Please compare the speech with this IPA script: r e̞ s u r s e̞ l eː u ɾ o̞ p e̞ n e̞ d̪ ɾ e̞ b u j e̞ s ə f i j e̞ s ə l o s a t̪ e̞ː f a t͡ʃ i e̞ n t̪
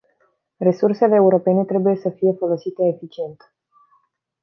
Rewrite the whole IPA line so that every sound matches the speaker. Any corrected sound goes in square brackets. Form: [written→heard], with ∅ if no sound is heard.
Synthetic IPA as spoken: r e̞ s u r s e̞ l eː u ɾ o̞ p e̞ n e̞ [d̪→t̪] ɾ e̞ b u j e̞ s ə f i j e̞ [s→f] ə l o s [a→i] t̪ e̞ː f [a→i] t͡ʃ i e̞ n t̪